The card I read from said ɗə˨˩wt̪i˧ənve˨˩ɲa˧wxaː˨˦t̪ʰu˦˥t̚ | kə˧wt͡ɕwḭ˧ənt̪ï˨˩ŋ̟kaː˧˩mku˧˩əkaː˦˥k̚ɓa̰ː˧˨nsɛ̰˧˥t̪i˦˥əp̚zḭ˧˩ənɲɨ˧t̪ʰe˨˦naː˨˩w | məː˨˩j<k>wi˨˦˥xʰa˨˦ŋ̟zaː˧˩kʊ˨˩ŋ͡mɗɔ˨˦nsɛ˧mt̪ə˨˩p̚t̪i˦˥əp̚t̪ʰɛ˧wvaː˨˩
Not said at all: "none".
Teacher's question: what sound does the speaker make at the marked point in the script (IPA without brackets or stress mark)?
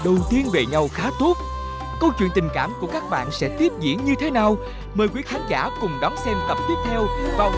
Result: k